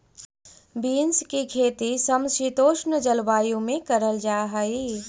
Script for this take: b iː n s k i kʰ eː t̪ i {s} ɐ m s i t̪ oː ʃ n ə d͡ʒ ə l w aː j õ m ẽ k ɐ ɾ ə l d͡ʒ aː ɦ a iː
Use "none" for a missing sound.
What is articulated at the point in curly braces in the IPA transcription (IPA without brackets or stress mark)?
s